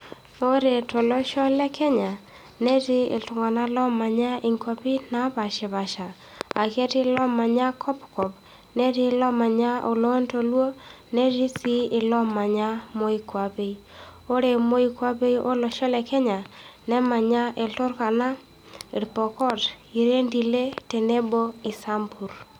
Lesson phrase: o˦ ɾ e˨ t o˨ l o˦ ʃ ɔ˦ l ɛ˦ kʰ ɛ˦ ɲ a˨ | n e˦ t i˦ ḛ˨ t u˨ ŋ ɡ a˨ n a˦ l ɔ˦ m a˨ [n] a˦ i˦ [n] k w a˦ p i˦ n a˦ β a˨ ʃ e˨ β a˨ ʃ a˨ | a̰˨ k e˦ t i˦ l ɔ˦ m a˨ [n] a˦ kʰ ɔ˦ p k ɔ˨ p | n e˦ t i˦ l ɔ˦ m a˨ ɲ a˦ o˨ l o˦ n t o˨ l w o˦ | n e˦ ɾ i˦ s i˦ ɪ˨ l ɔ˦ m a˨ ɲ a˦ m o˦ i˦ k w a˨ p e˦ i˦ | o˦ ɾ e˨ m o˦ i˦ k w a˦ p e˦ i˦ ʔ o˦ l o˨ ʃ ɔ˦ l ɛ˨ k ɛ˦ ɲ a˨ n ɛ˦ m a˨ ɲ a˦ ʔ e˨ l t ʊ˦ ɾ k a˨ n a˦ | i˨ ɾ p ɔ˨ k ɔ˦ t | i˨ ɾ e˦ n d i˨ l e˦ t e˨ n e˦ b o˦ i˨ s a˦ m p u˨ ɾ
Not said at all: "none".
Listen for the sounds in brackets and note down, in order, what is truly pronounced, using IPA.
ɲ, ŋ, ɲ

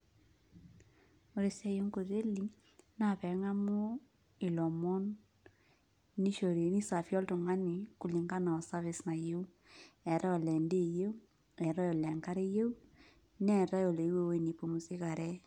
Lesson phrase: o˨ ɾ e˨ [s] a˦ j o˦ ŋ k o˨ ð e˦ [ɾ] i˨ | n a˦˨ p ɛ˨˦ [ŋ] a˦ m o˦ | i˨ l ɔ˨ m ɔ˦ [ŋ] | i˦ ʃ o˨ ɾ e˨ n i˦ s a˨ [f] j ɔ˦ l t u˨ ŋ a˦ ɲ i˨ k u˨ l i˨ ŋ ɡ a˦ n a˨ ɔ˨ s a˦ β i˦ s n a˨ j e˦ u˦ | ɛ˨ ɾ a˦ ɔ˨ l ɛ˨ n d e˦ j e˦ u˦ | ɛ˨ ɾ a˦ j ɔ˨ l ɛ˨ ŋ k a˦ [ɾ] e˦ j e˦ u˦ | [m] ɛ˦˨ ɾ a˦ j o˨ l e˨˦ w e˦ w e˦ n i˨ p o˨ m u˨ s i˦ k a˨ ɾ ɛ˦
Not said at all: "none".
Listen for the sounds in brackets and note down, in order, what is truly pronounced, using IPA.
s, l, ŋ, n, f, ɾ, n

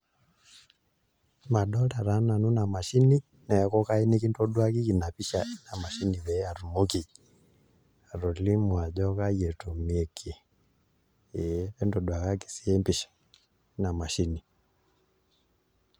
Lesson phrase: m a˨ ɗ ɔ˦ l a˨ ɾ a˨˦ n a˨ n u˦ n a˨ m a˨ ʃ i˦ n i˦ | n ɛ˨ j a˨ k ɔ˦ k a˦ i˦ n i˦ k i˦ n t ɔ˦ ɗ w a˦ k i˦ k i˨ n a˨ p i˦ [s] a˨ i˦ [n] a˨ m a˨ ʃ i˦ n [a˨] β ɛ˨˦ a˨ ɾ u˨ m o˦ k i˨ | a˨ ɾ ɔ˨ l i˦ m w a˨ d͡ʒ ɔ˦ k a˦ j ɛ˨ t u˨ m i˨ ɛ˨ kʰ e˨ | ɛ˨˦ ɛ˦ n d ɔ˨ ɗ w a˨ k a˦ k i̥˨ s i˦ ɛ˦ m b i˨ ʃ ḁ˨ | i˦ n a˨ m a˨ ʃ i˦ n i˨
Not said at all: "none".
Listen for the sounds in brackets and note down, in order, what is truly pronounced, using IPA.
ʃ, n, i˨

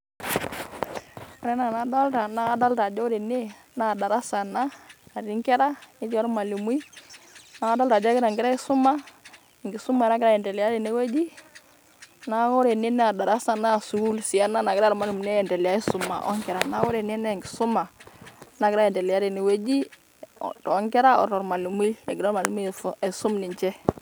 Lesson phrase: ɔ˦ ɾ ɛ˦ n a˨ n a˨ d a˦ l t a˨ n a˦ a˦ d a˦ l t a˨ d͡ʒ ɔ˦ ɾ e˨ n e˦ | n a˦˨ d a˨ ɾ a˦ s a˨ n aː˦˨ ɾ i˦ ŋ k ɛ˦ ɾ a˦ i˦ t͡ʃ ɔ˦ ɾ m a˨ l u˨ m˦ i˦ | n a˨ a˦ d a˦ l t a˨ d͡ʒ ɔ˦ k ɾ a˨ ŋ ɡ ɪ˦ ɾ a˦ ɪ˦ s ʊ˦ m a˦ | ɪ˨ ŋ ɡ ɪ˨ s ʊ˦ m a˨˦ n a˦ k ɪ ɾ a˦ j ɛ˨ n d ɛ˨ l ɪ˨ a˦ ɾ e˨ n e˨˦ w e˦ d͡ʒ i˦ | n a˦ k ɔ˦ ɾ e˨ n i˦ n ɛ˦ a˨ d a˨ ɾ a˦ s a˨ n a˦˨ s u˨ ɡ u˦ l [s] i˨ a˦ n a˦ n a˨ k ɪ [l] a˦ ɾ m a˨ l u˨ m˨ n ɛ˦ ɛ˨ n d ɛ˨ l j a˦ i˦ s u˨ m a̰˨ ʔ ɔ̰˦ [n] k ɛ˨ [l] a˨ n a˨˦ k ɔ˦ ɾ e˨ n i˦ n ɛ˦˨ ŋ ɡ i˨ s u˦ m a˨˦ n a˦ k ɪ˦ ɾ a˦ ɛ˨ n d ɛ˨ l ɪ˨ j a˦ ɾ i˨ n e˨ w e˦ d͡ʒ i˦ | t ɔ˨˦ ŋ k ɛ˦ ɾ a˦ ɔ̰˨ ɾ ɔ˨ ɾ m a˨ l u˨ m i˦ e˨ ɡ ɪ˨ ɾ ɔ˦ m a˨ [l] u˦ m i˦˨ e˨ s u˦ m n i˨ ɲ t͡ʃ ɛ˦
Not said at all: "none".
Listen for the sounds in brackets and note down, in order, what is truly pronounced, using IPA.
s, ɾ, ŋ, ɾ, l

